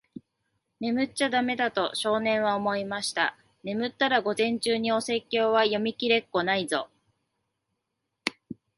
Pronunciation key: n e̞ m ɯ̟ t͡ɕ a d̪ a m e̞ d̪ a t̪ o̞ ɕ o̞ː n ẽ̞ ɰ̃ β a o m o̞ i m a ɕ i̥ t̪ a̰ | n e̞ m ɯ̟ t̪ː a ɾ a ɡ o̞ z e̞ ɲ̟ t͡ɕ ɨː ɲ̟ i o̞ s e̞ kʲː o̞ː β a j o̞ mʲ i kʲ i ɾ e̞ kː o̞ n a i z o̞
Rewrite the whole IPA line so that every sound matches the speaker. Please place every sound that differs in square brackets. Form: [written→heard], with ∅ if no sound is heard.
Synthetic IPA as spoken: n e̞ m ɯ̟ t͡ɕ a d̪ a m e̞ d̪ a t̪ o̞ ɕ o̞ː n ẽ̞ ɰ̃ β a o m o̞ i m a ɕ i̥ t̪ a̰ | n e̞ m ɯ̟ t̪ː a ɾ a ɡ o̞ z [e̞→ẽ̞] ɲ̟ t͡ɕ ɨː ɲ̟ i o̞ s e̞ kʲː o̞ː β a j o̞ mʲ i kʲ i ɾ e̞ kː o̞ n a i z o̞